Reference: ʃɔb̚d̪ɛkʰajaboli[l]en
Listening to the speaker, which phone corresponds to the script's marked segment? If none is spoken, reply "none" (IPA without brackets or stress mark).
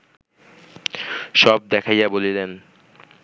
l